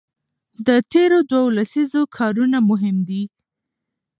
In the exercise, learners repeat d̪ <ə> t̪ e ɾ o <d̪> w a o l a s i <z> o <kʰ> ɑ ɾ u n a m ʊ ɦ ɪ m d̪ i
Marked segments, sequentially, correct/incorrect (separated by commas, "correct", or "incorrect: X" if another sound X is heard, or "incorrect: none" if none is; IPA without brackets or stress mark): correct, correct, correct, correct